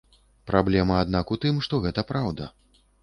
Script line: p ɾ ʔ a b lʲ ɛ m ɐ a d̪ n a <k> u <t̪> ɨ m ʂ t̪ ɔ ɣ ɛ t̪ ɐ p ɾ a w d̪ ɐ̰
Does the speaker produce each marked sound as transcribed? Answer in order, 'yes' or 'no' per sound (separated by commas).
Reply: yes, yes